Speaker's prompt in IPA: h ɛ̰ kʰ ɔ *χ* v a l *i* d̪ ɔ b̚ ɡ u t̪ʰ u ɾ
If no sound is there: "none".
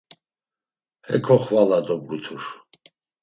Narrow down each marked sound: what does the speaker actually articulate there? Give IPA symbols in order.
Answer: χ, a

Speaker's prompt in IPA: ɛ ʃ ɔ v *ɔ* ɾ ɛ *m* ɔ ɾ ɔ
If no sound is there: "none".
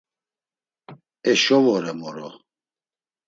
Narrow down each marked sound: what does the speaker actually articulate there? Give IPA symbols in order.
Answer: ɔ, m

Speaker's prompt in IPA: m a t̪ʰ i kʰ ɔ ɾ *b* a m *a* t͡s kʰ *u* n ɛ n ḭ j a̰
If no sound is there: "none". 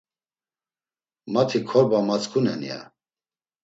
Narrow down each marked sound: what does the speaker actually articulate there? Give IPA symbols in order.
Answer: b, a, u

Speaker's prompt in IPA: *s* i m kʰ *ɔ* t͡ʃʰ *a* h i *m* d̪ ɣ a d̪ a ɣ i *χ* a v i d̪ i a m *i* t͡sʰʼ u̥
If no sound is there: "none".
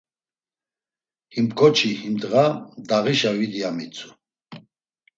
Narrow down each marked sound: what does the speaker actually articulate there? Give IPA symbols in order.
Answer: h, ɔ, i, m, ʃ, i

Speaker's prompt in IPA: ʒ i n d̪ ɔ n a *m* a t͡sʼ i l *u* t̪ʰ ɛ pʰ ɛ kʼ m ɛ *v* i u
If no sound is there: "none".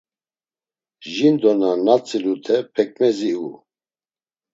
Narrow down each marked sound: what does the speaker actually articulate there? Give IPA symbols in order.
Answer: n, u, z

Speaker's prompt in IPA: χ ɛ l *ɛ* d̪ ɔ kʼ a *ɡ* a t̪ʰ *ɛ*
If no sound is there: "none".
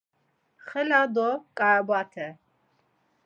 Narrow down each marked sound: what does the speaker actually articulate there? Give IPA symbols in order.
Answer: a, b, ɛ

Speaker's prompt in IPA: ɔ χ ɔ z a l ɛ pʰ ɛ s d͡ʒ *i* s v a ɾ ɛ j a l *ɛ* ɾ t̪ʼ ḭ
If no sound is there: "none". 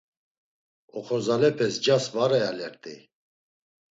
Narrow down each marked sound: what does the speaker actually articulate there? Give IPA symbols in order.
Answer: a, ɛ

